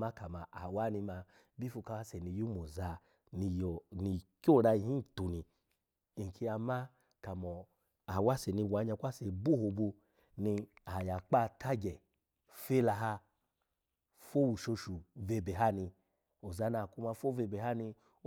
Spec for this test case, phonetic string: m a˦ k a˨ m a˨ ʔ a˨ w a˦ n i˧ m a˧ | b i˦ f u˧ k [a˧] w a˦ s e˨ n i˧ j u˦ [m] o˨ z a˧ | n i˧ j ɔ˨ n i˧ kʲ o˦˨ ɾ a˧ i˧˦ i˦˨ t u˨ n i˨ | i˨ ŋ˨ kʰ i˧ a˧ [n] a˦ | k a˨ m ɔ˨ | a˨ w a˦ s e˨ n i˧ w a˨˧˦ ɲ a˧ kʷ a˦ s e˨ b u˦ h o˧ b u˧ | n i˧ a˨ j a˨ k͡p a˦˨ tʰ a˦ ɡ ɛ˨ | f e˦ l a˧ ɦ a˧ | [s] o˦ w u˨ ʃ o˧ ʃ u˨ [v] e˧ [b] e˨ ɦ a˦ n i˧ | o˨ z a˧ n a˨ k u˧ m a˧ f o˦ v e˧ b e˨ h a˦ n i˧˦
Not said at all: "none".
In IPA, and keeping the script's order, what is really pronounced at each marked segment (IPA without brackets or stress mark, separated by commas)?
a˧, m, m, f, v, b